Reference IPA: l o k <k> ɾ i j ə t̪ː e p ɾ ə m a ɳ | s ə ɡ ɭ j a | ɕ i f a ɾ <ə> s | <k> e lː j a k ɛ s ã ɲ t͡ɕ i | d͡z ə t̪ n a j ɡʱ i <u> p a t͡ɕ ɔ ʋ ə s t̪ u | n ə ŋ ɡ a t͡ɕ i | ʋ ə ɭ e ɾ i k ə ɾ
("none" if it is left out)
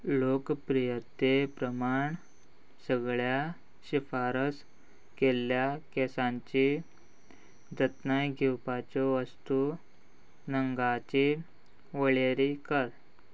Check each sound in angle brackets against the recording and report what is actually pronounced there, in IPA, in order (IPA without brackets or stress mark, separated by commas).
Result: p, ə, k, w